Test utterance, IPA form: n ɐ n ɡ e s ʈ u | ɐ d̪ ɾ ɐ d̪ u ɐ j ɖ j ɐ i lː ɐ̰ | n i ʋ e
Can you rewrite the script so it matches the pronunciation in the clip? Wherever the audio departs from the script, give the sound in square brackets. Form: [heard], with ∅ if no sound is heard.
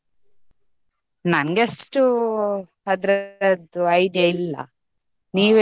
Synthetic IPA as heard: n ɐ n ɡ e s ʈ u | ɐ d̪ ɾ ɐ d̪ u ɐ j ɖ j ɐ i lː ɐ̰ | n [iː] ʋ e